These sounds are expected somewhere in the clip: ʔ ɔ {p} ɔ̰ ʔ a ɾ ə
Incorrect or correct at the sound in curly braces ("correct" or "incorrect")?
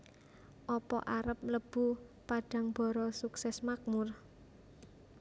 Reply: correct